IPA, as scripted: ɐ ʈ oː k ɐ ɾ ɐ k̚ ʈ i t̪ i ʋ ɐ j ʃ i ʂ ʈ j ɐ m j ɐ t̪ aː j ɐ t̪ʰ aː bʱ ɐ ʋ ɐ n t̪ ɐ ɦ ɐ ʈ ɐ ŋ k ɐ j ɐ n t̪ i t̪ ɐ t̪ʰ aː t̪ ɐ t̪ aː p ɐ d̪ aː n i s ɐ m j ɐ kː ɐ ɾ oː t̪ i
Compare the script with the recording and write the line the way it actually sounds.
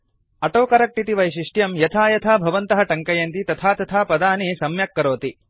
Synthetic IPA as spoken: ɐ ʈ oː k ɐ ɾ ɐ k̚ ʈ i t̪ i ʋ ɐ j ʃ i ʂ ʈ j ɐ m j ɐ t̪ʰ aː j ɐ t̪ʰ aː bʱ ɐ ʋ ɐ n t̪ ɐ ɦ ɐ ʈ ɐ ŋ k ɐ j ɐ n t̪ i t̪ ɐ t̪ʰ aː t̪ ɐ t̪ʰ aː p ɐ d̪ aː n i s ɐ m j ɐ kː ɐ ɾ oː t̪ i